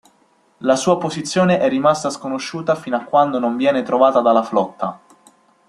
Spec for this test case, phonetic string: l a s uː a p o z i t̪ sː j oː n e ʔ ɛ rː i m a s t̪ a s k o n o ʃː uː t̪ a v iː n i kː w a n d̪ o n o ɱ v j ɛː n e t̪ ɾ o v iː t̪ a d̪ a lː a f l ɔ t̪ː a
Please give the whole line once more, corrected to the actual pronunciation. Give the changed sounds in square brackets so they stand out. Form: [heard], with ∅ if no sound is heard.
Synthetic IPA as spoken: l a s uː a p o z i t̪ sː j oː n e ʔ ɛ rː i m a s t̪ a s k o n o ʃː uː t̪ a [f] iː n [a] kː w a n d̪ o n o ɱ v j ɛː n e t̪ ɾ o v [aː] t̪ a d̪ a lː a f l ɔ t̪ː a